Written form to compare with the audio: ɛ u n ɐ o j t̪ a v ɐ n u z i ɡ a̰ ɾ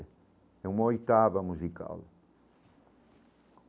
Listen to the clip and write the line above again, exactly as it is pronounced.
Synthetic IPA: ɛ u m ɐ o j t̪ a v ɐ m u z i k a̰ l